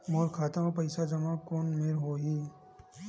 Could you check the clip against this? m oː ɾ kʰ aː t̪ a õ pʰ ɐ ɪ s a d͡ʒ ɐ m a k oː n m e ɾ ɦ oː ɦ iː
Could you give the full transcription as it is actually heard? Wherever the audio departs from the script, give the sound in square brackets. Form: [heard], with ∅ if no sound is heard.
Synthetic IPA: m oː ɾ kʰ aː t̪ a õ [p] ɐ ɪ s a d͡ʒ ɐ m a k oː n m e ɾ ɦ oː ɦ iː